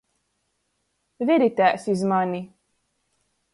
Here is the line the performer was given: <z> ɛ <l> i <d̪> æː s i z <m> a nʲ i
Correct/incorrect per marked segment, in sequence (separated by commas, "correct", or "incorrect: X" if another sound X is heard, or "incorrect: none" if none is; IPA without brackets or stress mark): incorrect: v, incorrect: ɾ, incorrect: t̪, correct